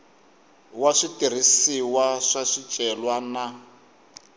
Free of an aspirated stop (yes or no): yes